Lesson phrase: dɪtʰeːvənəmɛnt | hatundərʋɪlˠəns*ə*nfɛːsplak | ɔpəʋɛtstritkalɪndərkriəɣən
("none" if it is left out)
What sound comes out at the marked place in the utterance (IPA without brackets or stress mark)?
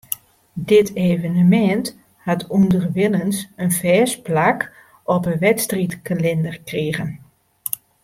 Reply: ə